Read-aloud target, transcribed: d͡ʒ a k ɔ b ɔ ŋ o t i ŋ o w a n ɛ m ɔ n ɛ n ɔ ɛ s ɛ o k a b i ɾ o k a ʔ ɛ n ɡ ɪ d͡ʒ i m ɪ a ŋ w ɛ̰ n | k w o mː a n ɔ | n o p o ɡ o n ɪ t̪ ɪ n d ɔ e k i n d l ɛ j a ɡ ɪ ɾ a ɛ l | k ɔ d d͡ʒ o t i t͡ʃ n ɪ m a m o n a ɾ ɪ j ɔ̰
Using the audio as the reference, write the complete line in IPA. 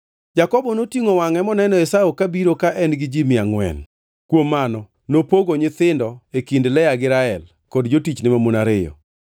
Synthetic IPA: d͡ʒ a k ɔ b ɔ n o t i ŋ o w a ŋ ɛ m ɔ n ɛ n ɔ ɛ s a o k a b i ɾ o k a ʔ ɛ n ɡ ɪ d͡ʒ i m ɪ a ŋ w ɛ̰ n | k w o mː a n ɔ | n o p o ɡ o ɲ ɪ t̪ ɪ n d ɔ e k i n d l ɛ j a ɡ ɪ ɾ a ɛ l | k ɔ d d͡ʒ o t i t͡ʃ n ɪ m a m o n a ɾ ɪ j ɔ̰